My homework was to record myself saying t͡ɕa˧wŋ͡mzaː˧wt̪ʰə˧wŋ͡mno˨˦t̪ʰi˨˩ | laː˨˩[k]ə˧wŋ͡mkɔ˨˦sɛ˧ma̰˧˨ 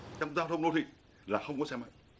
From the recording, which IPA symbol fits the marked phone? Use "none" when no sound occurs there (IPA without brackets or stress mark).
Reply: x